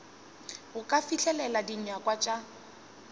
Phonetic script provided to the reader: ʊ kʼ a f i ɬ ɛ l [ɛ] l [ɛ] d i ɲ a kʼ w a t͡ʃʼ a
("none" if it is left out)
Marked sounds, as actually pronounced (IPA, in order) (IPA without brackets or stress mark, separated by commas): ɛ, a